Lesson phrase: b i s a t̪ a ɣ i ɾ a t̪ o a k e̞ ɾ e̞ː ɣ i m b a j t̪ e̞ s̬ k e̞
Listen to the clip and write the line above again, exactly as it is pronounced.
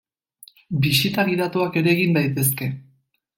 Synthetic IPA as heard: b i s i t̪ a ɣ i ɾ a t̪ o a k e̞ ɾ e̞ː ɣ i m b a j t̪ e̞ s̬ k e̞

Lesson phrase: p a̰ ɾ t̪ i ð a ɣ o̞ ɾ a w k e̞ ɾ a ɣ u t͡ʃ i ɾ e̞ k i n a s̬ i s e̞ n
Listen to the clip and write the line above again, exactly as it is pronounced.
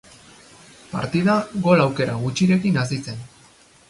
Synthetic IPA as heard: p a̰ ɾ t̪ i ð a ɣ o̞ l a w k e̞ ɾ a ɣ u t͡ʃ i ɾ e̞ k i n a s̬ i t͡s e̞ n

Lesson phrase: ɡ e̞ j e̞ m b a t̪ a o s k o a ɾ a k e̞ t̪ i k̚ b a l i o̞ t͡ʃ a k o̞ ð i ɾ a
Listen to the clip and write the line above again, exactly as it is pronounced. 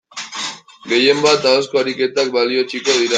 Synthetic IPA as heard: ɡ e̞ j e̞ m b a t̪ a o s k o a ɾ i k e̞ t̪ a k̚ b a l i o̞ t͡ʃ i k o̞ ð i ɾ a

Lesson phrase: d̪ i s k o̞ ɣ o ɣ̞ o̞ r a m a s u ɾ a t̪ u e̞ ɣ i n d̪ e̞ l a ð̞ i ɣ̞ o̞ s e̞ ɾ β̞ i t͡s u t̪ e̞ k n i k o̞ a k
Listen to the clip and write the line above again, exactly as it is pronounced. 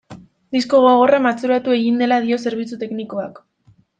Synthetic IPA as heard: d̪ i s k o̞ ɣ o ɣ̞ o̞ r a m a t͡s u ɾ a t̪ u e̞ ɣ i n d̪ e̞ l a ð̞ i o̞ s e̞ ɾ β̞ i t͡s u t̪ e̞ k n i k o̞ a k

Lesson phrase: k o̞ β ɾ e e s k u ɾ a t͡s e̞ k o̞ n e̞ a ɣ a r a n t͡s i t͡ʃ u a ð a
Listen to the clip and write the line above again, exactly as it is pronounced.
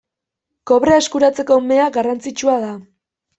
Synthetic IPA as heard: k o̞ β ɾ e e s k u ɾ a t͡s e̞ k o̞ m e̞ a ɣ a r a n t͡s i t͡ʃ u a ð a

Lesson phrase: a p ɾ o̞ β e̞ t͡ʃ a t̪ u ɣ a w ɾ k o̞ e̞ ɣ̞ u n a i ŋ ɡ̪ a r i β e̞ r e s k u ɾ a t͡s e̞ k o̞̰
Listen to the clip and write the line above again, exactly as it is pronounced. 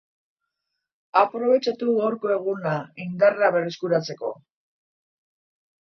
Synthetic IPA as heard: a p ɾ o̞ β e̞ t͡ʃ a t̪ u ɣ a w ɾ k o̞ e̞ ɣ̞ u n a i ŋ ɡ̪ a r a β e̞ r e s k u ɾ a t͡s e̞ k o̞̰

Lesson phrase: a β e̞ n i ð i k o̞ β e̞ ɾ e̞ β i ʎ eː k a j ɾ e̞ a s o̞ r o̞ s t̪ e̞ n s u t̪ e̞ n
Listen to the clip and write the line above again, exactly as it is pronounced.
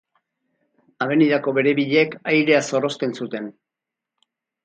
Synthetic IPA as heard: a β e̞ n i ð a k o̞ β e̞ ɾ e̞ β i ʎ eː k a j ɾ e̞ a s o̞ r o̞ s t̪ e̞ n s u t̪ e̞ n

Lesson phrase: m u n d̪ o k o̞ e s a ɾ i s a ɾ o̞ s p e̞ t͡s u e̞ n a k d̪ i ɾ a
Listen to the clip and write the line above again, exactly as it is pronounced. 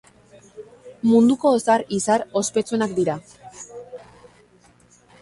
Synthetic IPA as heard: m u n d̪ u k o̞ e s a ɾ i s a ɾ o̞ s p e̞ t͡s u e̞ n a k d̪ i ɾ a

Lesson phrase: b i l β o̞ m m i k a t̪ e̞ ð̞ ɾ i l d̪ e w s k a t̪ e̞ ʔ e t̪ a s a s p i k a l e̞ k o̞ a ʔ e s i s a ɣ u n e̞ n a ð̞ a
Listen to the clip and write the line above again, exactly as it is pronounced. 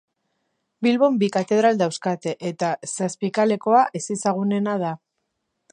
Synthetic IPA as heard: b i l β o̞ m b i k a t̪ e̞ ð̞ ɾ a l d̪ a w s k a t̪ e̞ ʔ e t̪ a s a s p i k a l e̞ k o̞ a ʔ e s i s a ɣ u n e̞ n a ð̞ a

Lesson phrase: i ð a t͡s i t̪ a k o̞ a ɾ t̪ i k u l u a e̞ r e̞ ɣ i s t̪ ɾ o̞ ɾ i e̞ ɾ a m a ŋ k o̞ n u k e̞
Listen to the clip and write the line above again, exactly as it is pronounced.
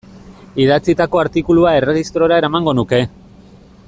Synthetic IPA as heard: i ð a t͡s i t̪ a k o̞ a ɾ t̪ i k u l u a e̞ r e̞ ɣ i s t̪ ɾ o̞ ɾ a e̞ ɾ a m a ŋ ɡ o̞ n u k e̞

